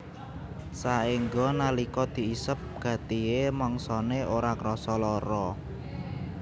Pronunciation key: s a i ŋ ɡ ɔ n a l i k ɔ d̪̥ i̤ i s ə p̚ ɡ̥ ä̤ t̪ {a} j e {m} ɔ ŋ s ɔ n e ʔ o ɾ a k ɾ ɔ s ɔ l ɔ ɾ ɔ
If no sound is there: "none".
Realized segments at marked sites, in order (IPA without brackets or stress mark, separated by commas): i, m